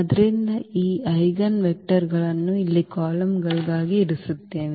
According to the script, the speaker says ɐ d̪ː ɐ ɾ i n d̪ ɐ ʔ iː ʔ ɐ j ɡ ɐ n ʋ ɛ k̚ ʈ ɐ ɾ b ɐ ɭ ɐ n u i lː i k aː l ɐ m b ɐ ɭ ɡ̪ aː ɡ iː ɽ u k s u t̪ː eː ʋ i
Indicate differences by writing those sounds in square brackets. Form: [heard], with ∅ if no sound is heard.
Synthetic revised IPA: ɐ [d̪] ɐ ɾ i n d̪ ɐ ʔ iː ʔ ɐ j ɡ ɐ n ʋ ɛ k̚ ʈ ɐ ɾ [ɡ] ɐ ɭ ɐ [nː] u i lː i k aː l ɐ m [ɡ] ɐ ɭ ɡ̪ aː ɡ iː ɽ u [∅] s u t̪ː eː ʋ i